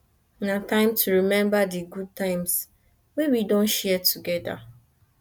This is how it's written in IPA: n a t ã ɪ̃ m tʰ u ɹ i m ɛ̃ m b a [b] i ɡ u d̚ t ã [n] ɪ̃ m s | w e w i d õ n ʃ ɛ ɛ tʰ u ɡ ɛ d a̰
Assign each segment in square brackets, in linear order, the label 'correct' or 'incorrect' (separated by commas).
incorrect, incorrect